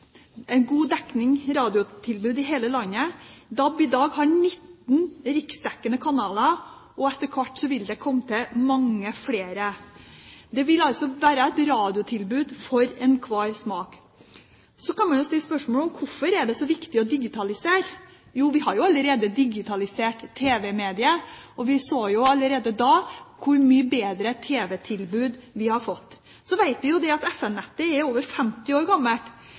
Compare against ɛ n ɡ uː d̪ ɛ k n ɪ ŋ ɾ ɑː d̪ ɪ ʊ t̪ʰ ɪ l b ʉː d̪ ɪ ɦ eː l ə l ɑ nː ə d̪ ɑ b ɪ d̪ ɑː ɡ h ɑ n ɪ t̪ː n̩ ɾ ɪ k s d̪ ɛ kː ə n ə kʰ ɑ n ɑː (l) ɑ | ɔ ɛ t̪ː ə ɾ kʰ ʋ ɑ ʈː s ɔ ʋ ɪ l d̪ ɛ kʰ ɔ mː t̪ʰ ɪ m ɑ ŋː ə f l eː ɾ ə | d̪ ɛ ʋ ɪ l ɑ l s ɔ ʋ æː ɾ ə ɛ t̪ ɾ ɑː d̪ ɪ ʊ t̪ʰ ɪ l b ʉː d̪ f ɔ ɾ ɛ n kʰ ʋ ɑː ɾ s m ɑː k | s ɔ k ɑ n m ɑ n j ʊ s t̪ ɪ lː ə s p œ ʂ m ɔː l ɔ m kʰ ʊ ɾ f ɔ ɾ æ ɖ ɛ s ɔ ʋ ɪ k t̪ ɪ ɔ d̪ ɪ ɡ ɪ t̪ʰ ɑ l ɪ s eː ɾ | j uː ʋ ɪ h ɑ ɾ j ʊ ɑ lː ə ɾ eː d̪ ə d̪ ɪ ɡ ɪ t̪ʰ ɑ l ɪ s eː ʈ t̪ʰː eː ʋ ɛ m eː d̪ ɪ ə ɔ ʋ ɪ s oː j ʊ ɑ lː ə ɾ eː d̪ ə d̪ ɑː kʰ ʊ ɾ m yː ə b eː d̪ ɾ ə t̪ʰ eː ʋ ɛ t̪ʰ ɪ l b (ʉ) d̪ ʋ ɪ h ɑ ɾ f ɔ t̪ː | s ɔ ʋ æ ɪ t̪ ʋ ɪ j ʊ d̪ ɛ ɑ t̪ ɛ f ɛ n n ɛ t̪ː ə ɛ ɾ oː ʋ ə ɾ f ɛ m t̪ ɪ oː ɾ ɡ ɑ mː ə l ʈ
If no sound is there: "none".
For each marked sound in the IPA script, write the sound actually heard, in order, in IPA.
l, ʉː

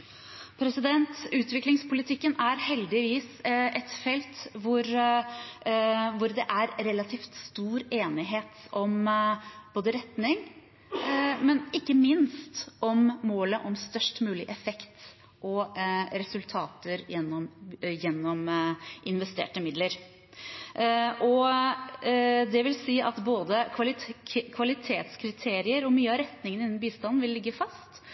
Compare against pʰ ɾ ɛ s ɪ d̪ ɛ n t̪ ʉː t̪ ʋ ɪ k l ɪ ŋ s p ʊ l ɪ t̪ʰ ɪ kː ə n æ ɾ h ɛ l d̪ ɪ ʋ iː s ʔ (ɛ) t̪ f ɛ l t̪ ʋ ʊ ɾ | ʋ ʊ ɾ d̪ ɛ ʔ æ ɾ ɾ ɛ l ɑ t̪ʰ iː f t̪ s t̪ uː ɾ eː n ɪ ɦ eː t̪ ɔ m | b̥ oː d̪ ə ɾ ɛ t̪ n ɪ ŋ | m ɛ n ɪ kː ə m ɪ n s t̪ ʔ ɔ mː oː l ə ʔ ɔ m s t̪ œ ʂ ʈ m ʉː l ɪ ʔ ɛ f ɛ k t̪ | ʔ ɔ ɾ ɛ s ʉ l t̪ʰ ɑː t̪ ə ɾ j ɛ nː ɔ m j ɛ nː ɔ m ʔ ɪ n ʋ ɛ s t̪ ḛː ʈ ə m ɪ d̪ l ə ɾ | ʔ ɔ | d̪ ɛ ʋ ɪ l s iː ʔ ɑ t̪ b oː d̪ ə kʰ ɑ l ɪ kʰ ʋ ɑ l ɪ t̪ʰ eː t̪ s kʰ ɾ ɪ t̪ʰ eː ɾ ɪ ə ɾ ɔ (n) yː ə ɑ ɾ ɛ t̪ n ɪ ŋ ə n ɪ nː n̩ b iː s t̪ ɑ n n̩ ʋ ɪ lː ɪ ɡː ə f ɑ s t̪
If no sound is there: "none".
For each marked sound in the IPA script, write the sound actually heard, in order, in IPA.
ɛ, m

